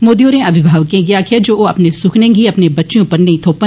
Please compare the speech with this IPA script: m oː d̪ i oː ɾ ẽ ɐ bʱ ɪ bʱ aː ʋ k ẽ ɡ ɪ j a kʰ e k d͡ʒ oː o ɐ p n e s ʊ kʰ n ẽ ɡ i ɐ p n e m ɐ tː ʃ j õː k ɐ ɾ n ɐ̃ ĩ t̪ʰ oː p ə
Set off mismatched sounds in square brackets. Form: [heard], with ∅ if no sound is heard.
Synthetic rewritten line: m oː d̪ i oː ɾ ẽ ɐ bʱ ɪ bʱ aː ʋ k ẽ ɡ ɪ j a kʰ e [∅] d͡ʒ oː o ɐ p n e s ʊ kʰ n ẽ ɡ i ɐ p n e [b] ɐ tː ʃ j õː [p] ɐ ɾ n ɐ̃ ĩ t̪ʰ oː p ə